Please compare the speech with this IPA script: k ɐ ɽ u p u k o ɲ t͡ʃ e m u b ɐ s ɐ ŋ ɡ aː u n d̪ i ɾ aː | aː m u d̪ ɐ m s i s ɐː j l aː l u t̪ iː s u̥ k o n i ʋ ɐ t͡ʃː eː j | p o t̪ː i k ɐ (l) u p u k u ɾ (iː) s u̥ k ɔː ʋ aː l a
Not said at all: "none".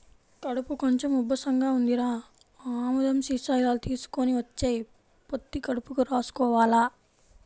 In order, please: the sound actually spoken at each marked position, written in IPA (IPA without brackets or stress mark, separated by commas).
ɽ, aː